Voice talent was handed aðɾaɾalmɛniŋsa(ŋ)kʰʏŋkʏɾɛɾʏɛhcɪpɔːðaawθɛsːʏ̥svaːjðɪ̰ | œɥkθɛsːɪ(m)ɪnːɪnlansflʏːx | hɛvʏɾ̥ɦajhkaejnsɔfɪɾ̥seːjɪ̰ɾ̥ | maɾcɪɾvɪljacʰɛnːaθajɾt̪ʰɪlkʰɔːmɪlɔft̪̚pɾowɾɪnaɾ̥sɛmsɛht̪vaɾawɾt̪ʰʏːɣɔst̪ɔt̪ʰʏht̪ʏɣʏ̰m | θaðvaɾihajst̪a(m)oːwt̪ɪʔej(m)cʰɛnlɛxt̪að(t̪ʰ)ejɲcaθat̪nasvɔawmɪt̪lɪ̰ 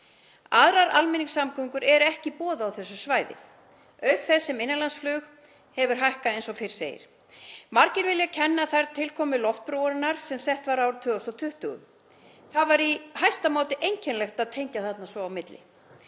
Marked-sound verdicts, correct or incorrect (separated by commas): incorrect, correct, correct, incorrect, correct